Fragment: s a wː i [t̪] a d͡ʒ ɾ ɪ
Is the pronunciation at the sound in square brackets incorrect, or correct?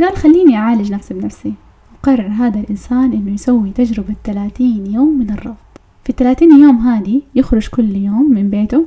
correct